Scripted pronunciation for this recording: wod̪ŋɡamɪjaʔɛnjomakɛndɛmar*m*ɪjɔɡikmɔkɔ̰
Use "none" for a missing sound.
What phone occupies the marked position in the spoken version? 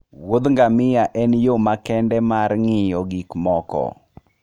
ŋ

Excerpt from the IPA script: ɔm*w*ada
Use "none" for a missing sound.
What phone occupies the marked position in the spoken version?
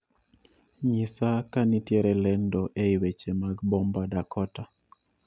b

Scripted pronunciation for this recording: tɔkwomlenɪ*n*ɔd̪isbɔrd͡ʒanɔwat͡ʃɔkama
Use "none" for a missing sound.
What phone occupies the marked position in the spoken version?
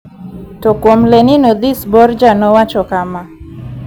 n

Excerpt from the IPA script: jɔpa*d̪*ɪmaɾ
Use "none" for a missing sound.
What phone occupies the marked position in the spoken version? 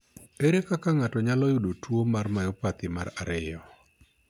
t̪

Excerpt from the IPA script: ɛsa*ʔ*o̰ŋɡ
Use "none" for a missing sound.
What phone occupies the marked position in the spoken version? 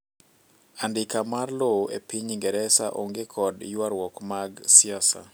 ʔ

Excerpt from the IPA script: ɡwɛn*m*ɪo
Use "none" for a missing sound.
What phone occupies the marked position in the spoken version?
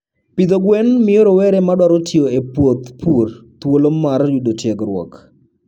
m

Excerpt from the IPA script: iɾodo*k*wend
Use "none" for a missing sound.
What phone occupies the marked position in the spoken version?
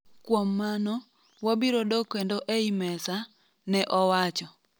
k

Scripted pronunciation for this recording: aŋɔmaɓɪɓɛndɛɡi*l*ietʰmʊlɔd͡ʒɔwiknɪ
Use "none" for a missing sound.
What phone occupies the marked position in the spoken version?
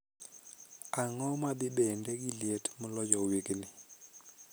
l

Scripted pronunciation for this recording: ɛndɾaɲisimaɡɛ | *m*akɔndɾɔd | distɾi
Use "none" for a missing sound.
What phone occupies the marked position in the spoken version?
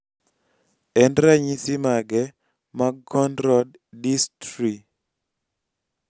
m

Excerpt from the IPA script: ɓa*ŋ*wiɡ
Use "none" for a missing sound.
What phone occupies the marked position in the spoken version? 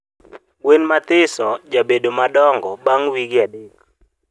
ŋ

